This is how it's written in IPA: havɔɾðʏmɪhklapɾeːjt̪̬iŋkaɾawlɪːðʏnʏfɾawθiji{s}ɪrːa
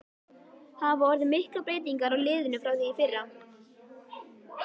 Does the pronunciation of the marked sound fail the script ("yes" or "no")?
yes